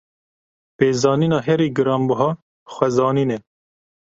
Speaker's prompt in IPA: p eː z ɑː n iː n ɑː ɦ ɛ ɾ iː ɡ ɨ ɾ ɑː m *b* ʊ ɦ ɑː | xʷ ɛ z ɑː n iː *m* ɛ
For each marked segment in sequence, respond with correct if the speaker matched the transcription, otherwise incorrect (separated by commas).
correct, incorrect